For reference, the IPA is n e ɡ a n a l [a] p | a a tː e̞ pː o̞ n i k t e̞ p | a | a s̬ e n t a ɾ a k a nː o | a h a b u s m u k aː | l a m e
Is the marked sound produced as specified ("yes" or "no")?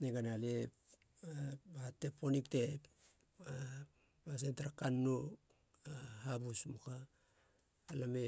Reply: no